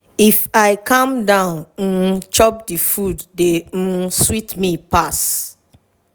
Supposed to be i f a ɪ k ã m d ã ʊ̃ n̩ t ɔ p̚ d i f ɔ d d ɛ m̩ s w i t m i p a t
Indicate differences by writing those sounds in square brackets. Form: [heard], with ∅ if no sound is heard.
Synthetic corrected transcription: i f a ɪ k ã m d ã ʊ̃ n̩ [t͡ʃ] ɔ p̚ d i f [u] d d [e] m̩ s w i t m i p a [s]